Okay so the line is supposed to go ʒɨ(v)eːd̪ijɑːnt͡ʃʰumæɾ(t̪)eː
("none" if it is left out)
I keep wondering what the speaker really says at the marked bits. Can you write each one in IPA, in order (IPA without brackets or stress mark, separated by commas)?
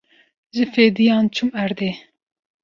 f, d̪